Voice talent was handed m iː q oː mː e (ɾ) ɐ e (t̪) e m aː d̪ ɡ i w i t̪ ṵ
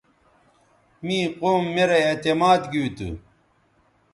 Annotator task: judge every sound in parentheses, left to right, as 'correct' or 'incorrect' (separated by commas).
correct, correct